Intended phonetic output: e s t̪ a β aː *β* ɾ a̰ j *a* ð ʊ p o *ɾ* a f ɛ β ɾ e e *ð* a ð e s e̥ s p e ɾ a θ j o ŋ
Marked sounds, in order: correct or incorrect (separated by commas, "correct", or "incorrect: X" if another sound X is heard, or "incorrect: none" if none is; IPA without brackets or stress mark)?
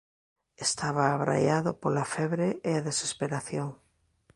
correct, correct, incorrect: l, incorrect: none